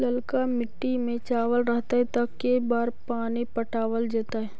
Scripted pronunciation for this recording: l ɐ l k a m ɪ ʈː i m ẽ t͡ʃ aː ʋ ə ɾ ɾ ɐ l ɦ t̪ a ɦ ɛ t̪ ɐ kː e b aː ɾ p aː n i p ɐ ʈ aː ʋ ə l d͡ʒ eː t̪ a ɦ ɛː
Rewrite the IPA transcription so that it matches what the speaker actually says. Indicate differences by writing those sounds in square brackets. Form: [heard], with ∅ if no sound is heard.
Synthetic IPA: l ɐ l k a m ɪ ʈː i m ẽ t͡ʃ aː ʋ ə [l] ɾ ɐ [∅] ɦ t̪ a ɦ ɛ t̪ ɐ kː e b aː ɾ p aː n i p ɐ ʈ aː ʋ ə l d͡ʒ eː t̪ a ɦ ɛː